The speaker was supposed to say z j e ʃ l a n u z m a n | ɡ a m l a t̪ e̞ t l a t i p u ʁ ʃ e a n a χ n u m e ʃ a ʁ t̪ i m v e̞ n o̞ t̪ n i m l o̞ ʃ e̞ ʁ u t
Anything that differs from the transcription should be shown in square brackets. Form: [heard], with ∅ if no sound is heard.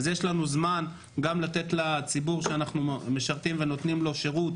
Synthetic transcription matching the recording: z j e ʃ l a n u z m a n | ɡ a m l a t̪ e̞ t l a [t͡s] i [b] u ʁ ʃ e a n a χ n u m e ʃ a ʁ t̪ i m v e̞ n o̞ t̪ n i m l o̞ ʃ e̞ ʁ u t